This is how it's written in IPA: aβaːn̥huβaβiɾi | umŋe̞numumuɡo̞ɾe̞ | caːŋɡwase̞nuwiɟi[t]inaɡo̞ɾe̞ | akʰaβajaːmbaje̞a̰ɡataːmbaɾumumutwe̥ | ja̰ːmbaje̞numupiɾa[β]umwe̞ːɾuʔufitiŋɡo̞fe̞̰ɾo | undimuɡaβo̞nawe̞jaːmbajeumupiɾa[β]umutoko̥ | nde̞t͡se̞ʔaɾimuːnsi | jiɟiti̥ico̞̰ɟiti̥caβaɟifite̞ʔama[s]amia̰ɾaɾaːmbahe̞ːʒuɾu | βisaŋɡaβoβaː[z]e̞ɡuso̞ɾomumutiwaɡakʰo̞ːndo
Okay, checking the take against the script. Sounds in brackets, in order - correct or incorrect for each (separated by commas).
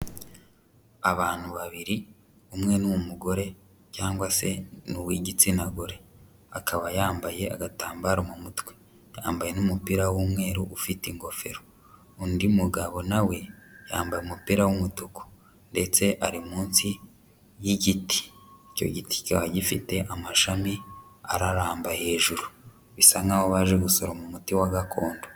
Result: incorrect, incorrect, incorrect, incorrect, incorrect